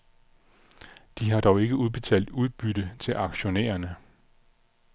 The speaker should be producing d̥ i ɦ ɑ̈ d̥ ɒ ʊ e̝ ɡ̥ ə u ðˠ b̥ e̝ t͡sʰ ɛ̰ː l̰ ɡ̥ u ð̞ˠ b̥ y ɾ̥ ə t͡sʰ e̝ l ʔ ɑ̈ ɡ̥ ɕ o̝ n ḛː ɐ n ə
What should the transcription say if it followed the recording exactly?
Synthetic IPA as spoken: d̥ i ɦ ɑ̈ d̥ ɒ ʊ e̝ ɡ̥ ə u ðˠ b̥ e̝ t͡sʰ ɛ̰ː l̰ d̥ u ð̞ˠ b̥ y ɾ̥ ə t͡sʰ e̝ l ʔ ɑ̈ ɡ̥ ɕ o̝ n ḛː ɐ n ə